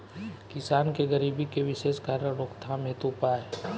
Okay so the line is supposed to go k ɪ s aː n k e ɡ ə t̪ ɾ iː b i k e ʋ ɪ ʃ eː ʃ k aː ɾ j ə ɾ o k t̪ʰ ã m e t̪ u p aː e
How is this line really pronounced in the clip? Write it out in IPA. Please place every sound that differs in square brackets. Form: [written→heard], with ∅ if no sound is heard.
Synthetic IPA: k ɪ s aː n k e ɡ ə [t̪→∅] ɾ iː b i k e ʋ ɪ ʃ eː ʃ k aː ɾ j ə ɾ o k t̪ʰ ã m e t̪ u p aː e